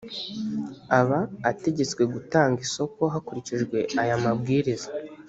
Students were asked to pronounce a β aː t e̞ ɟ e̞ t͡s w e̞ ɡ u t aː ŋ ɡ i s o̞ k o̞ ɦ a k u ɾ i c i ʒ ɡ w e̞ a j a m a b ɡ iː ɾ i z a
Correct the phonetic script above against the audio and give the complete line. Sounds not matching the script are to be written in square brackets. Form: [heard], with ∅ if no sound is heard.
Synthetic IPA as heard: a β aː t e̞ ɟ e̞ t͡s w e̞ ɡ u t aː ŋ ɡ i s o̞ k o̞ ɦ a k u ɾ i c i ʒ ɡ w e̞ a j a m a b ɡ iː ɾ i z a